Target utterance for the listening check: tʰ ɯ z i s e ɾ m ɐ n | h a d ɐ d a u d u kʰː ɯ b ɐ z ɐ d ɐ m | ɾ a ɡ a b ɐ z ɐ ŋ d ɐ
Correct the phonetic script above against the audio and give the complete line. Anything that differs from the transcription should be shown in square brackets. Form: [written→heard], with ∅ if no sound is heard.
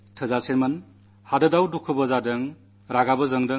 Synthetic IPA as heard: tʰ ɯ z [i→a] s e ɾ m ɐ n | h a d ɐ d a [u→w] d u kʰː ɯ b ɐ z [ɐ→a] d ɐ [m→ŋ] | ɾ a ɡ a b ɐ z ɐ ŋ d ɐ